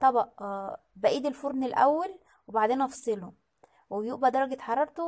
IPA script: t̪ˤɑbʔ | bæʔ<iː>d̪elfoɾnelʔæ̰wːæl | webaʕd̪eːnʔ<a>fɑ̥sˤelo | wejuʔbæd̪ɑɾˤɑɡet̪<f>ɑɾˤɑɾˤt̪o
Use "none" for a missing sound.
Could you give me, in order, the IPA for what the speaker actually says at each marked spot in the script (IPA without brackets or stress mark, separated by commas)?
iː, ɑ, ħ